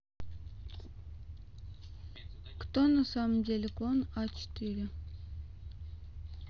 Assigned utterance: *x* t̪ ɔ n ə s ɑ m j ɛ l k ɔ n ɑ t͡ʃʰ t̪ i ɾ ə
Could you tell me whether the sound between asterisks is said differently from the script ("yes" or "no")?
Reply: yes